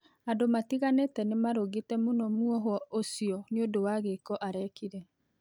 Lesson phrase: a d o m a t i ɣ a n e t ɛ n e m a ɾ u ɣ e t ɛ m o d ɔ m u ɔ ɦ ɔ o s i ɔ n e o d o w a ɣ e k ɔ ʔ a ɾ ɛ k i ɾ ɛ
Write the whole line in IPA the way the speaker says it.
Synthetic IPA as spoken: a d o m a t i ɣ a n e t ɛ n e m a ɾ o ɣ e t ɛ m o n ɔ m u ɔ ɦ ɔ o s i ɔ n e o d o w a ɣ e k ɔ ʔ a ɾ ɛ k i ɾ ɛ